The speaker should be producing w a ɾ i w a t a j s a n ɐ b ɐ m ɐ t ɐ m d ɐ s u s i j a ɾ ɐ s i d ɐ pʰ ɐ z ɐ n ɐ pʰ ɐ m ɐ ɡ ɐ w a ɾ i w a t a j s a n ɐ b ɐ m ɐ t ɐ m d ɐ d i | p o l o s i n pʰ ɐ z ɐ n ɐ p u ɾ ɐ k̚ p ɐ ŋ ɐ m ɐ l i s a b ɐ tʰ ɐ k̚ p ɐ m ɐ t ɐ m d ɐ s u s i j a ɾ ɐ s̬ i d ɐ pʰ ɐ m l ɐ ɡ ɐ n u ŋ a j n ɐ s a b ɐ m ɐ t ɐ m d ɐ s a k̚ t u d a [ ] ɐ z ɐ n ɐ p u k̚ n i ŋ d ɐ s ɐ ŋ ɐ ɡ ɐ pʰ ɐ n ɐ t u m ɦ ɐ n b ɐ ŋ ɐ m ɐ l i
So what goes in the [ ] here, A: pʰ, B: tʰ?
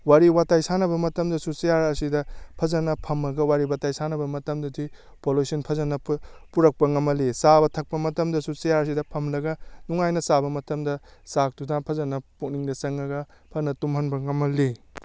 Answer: A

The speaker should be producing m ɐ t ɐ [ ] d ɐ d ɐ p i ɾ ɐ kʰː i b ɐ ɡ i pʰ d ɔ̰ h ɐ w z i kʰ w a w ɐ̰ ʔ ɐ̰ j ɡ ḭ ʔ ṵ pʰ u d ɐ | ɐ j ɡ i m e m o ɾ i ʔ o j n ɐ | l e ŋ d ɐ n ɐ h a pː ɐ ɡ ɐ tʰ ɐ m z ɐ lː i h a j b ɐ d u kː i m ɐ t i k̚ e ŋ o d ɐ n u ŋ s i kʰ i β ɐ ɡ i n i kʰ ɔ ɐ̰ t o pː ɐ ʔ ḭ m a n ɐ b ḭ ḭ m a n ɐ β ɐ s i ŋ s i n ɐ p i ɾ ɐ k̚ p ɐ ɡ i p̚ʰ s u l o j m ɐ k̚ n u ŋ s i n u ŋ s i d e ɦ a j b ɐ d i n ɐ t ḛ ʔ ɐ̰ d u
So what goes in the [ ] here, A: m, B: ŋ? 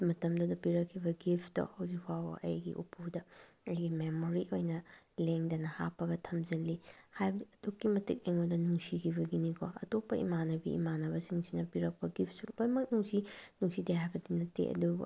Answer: A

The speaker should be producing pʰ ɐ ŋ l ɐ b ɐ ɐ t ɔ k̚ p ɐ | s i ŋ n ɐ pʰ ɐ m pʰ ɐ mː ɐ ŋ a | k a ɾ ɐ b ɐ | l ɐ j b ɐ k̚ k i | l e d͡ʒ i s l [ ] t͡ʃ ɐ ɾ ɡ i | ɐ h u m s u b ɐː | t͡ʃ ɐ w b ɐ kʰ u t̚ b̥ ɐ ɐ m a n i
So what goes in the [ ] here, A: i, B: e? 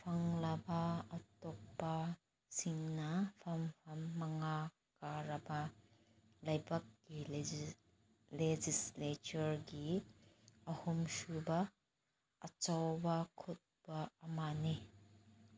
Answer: B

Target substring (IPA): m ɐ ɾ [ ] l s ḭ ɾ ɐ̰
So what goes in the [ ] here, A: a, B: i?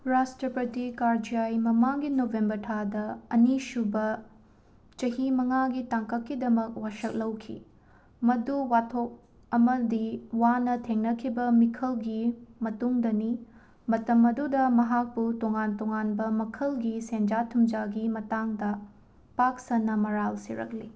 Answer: A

